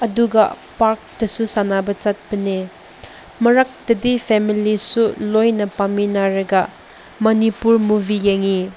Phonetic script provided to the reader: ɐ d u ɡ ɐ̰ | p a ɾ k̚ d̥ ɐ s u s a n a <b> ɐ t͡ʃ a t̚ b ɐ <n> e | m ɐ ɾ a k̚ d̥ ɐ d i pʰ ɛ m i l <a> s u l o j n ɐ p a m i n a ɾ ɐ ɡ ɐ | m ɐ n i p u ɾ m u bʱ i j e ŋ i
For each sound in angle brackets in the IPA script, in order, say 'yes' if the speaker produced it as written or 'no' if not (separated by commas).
yes, yes, no